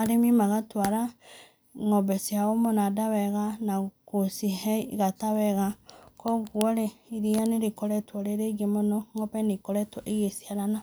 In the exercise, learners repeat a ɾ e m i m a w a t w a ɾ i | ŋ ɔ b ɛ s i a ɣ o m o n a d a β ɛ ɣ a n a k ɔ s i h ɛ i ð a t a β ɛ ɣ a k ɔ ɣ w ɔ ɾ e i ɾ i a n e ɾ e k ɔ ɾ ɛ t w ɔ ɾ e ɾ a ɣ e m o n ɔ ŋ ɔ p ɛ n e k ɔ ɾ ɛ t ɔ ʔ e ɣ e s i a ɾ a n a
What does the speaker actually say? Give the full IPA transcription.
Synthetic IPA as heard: a ɾ e m i m a ɣ a t w a ɾ a | ŋ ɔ b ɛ s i a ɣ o m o n a d a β ɛ ɣ a n a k o s i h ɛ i ɣ a t a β ɛ ɣ a k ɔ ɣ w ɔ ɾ e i ɾ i a n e ɾ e k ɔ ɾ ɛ t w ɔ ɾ e ɾ e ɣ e m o n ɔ ŋ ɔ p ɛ n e k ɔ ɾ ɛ t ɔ ʔ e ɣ e s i a ɾ a n a